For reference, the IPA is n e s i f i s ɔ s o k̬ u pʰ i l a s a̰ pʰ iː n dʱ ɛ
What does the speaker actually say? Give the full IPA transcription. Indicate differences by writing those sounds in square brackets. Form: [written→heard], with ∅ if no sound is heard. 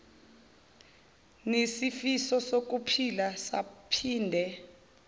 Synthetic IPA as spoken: n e s i f i s ɔ s o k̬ u pʰ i l a s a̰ pʰ iː n dʱ ɛ

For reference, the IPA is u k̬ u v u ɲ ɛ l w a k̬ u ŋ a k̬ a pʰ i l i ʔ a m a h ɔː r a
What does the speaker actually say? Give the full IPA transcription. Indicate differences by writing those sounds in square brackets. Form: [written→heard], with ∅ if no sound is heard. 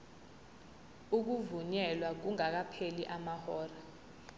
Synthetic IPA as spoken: u k̬ u v u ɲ ɛ l w a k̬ u ŋ a k̬ a pʰ [i→e] l i ʔ a m a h ɔː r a

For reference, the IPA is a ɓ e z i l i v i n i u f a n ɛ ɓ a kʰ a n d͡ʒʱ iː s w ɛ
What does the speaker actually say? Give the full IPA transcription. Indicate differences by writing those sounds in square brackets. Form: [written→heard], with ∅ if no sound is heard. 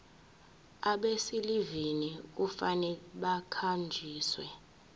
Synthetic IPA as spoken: a ɓ e [z→s] i l i v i n i u f a n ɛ ɓ a kʰ a n d͡ʒʱ iː s w ɛ

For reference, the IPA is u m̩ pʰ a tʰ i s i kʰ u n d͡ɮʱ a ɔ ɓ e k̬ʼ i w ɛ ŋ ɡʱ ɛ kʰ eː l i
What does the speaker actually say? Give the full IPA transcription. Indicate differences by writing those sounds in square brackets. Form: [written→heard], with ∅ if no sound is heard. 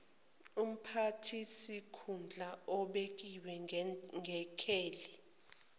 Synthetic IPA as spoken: u m̩ pʰ a tʰ i s i kʰ u n d͡ɮʱ a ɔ ɓ e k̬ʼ i w ɛ ŋ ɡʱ ɛ kʰ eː l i

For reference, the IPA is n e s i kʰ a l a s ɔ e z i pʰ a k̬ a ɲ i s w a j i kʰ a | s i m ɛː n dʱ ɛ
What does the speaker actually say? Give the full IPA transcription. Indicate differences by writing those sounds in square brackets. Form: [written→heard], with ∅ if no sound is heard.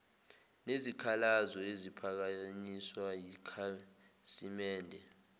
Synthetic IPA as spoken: n e [s→z] i kʰ a l a [s→z] ɔ e z i pʰ a k̬ a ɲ i s w a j i kʰ a | s i m ɛː n dʱ ɛ

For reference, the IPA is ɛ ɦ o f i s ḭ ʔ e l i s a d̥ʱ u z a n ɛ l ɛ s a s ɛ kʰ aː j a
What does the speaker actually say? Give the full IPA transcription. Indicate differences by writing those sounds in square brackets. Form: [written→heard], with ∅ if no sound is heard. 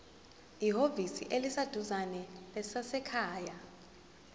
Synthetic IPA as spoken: [ɛ→i] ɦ o [f→v] i s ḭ ʔ e l i s a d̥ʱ u z a n ɛ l ɛ s a s ɛ kʰ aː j a

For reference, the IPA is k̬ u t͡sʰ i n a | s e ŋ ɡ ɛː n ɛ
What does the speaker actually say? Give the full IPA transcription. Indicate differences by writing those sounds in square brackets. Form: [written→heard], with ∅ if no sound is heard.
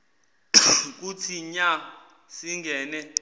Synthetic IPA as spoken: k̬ u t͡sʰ i [n→ɲ] a | s [e→i] ŋ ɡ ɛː n ɛ

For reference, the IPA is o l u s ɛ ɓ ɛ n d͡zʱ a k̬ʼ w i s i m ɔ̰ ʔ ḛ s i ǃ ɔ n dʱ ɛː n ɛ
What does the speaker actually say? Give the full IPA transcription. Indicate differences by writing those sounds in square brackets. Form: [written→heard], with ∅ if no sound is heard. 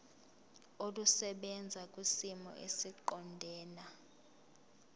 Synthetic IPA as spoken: o l u s ɛ ɓ ɛ n d͡zʱ a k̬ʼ w i s i m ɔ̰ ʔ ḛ s i ǃ ɔ n dʱ ɛː n [ɛ→a]

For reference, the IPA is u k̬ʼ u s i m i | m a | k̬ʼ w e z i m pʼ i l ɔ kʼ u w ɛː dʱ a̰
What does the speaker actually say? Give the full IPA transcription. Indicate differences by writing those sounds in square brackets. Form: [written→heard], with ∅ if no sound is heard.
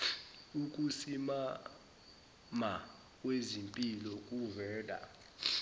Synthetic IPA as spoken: u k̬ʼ u s i m [i→a] | m a | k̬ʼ w e z i m pʼ i l ɔ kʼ u [w→v] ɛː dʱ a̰

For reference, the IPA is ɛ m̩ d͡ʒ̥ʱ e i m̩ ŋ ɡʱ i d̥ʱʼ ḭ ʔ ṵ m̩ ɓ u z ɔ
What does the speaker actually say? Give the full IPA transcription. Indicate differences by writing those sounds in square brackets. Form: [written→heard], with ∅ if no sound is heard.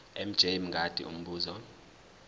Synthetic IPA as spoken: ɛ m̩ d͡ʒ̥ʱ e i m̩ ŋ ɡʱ [i→a] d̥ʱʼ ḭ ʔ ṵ m̩ ɓ [u→uː] z ɔ

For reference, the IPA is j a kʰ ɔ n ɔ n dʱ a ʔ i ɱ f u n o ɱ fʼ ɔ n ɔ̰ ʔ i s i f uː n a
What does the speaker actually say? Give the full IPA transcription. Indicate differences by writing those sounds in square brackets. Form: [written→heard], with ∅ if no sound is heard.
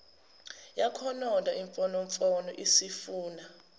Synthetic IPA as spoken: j a kʰ ɔ n ɔ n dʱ a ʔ i ɱ f [u→ɔ] n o ɱ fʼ ɔ n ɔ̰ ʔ i s i f uː n a

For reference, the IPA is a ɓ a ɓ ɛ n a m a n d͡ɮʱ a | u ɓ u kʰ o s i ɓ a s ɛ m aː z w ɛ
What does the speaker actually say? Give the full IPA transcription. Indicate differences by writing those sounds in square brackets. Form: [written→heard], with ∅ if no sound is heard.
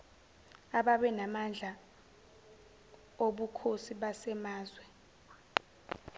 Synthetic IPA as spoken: a ɓ a ɓ ɛ n a m a n d͡ɮʱ a | [u→o] ɓ u kʰ o s i ɓ a s ɛ m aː z w ɛ

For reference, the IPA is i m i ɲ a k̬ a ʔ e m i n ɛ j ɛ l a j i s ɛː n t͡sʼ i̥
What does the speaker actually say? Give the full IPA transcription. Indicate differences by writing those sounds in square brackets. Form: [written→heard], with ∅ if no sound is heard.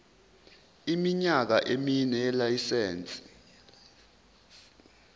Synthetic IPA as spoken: i m i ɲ a k̬ a ʔ e m i n ɛ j ɛ l a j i s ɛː n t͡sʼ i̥

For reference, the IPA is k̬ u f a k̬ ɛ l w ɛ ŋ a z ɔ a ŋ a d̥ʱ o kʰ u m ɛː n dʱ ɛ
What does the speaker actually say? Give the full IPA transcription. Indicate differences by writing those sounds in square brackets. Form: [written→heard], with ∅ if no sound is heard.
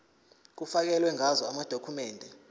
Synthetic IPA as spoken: k̬ u f a k̬ ɛ l w ɛ ŋ a z ɔ a [ŋ→m] a d̥ʱ o kʰ u m ɛː n dʱ ɛ

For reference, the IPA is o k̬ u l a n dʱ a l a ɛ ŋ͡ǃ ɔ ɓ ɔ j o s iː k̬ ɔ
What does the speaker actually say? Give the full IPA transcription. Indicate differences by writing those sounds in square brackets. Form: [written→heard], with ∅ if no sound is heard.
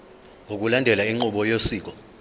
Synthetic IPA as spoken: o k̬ u l a n dʱ [a→ɛ] l a [ɛ→i] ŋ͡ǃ [ɔ→u] ɓ ɔ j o s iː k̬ ɔ

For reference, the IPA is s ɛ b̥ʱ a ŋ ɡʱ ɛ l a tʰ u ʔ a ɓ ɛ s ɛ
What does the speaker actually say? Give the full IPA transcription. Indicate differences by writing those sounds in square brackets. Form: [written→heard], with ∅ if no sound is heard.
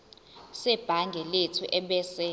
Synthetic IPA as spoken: s ɛ b̥ʱ a ŋ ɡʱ ɛ l [a→e] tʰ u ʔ [a→ɛ] ɓ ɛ s ɛ

